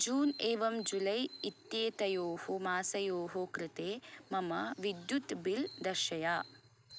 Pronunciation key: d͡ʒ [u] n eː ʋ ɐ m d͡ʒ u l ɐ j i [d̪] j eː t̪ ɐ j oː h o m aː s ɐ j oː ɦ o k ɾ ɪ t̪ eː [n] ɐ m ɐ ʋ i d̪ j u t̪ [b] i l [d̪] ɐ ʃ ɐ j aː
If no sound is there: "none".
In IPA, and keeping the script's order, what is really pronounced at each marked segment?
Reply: uː, t̪, m, b, d̪

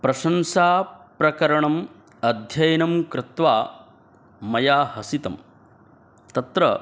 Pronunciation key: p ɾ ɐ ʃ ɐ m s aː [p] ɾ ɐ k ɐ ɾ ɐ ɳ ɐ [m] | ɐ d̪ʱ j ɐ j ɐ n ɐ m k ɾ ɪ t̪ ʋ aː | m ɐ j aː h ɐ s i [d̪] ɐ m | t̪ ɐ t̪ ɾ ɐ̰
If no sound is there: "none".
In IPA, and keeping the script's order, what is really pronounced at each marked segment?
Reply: p, m, t̪

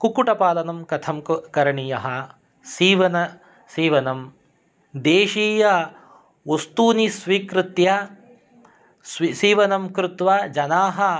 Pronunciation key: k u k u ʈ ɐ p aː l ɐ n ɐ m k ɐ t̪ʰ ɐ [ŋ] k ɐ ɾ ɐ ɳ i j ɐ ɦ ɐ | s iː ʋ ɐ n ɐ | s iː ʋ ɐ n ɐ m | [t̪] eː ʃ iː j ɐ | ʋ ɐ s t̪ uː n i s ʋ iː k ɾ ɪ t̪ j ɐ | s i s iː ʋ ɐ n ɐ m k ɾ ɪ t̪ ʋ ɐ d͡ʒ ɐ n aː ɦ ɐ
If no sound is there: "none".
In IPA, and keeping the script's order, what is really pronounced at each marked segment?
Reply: m, d̪

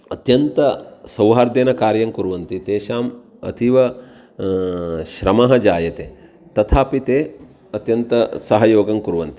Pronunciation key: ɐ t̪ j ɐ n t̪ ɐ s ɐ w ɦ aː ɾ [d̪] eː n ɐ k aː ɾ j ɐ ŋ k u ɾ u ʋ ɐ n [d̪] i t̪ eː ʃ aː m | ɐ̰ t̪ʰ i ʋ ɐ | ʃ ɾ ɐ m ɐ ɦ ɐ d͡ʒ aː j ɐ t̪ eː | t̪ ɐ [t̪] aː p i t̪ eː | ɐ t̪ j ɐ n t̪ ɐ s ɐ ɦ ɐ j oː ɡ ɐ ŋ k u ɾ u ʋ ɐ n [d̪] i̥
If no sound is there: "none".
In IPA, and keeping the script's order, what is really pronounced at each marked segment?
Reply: d̪, t̪, t̪ʰ, t̪

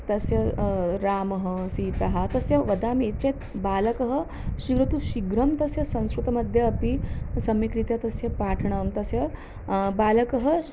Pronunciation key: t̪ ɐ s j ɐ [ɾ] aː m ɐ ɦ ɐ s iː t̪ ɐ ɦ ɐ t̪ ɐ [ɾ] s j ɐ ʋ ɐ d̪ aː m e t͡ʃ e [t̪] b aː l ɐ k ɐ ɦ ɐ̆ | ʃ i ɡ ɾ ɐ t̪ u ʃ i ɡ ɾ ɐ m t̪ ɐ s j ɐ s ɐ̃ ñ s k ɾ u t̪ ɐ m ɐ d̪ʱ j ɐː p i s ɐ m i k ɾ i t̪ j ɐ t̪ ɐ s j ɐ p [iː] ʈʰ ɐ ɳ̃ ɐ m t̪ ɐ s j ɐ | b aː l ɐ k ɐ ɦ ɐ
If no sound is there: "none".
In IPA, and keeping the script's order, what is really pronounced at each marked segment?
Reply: ɾ, none, t̪, aː

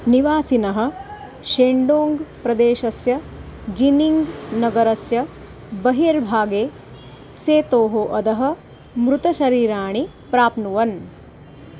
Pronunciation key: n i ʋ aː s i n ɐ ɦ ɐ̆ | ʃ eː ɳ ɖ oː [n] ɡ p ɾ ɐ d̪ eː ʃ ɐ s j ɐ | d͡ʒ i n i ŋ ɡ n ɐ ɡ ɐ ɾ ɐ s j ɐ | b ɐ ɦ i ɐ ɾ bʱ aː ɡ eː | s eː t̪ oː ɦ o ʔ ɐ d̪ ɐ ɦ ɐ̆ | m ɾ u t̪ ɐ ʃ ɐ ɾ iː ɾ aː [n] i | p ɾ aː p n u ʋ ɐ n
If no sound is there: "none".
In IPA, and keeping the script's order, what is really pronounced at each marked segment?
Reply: ŋ, ɳ

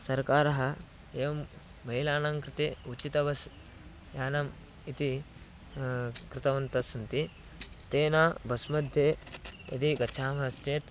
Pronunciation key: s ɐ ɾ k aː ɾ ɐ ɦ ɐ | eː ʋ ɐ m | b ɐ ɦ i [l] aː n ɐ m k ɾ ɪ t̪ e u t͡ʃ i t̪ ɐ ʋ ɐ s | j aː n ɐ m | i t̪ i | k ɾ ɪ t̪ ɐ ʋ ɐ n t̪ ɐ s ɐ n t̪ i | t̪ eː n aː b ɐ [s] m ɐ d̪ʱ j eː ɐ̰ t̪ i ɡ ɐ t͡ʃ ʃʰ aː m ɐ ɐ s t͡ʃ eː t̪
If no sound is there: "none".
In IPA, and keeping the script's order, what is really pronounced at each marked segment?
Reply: l, s

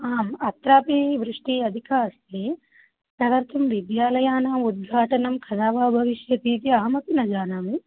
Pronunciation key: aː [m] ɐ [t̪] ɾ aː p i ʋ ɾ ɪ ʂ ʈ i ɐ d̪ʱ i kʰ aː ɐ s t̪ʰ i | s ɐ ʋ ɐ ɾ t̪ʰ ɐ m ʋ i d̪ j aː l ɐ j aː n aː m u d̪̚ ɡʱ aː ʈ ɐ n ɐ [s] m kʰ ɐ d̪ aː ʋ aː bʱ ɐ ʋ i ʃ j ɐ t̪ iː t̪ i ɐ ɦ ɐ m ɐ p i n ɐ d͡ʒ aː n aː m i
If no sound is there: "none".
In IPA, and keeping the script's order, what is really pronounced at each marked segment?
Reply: m, t̪, none

